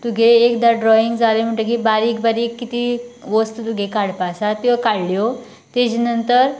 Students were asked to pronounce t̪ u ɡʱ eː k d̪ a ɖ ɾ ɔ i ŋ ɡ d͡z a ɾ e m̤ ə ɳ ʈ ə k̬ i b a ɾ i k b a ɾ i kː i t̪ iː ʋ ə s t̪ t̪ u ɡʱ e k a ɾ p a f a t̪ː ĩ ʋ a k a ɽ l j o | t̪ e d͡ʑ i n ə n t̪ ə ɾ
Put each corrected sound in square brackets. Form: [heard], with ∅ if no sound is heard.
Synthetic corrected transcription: t̪ u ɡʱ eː k d̪ a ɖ ɾ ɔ i ŋ ɡ d͡z a [l] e m̤ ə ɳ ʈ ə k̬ i b a ɾ i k b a ɾ i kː i t̪ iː ʋ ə s t̪ t̪ u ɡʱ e k a [ɽ] p a [s] a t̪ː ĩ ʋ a k a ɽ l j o | t̪ e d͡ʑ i n ə n t̪ ə ɾ

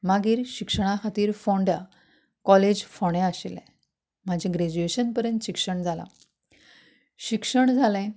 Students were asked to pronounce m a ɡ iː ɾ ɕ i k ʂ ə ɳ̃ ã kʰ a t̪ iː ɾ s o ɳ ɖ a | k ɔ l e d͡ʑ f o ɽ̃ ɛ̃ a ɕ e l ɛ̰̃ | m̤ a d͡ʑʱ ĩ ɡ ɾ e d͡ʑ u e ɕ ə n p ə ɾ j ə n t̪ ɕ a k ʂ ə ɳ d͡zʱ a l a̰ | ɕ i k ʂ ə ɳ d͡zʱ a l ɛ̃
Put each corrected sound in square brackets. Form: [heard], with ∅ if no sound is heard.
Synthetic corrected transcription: m a ɡ iː ɾ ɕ i k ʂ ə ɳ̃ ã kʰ a t̪ iː ɾ [f] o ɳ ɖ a | k ɔ l e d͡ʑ f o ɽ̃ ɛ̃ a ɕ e l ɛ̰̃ | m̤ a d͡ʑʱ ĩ ɡ ɾ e d͡ʑ u e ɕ ə n p ə ɾ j ə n t̪ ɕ [i] k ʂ ə ɳ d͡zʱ a l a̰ | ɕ i k ʂ ə ɳ d͡zʱ a l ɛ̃

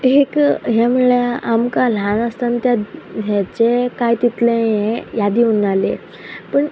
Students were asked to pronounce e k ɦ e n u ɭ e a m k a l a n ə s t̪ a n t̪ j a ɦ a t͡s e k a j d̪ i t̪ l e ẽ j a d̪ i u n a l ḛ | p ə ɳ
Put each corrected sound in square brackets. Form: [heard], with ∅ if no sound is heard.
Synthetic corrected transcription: e k ɦ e [m] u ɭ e a m k a l a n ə s t̪ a n t̪ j a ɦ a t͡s e k a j [t̪] i t̪ l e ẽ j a d̪ i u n a l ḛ | p ə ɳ

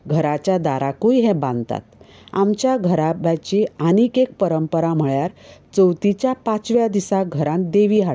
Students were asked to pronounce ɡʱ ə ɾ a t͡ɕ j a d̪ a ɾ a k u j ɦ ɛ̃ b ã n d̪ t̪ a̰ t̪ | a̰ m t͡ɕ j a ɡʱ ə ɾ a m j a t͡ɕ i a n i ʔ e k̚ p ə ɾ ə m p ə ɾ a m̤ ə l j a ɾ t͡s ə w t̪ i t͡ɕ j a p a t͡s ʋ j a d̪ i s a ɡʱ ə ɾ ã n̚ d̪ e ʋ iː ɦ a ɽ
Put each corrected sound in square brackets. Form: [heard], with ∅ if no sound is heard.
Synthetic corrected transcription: ɡʱ ə ɾ a t͡ɕ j a d̪ a ɾ a k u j ɦ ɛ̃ b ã n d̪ t̪ a̰ t̪ | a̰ m t͡ɕ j a ɡʱ ə ɾ a [b] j a t͡ɕ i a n i [k] e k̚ p ə ɾ ə m p ə ɾ a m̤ ə [ɭ] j a ɾ t͡s ə w t̪ i t͡ɕ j a p a t͡s ʋ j a d̪ i s a ɡʱ ə ɾ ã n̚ d̪ e ʋ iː ɦ a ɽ

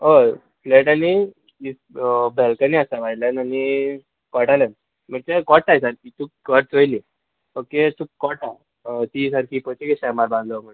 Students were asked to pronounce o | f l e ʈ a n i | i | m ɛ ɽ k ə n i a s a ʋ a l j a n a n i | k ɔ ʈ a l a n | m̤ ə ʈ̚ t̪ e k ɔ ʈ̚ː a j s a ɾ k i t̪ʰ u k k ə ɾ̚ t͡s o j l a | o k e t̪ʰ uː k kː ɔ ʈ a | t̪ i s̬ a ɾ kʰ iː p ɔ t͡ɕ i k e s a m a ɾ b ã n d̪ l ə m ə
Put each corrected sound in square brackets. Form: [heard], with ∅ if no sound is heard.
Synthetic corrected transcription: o | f l e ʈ a n i | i | [b] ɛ [l] k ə n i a s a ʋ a l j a n a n i | k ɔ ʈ a l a n | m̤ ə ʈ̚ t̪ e k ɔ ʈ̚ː a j s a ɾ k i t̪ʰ u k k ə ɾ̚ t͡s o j l [i] | o k e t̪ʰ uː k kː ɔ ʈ a | t̪ i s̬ a ɾ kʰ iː p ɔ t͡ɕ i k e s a m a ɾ b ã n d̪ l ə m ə

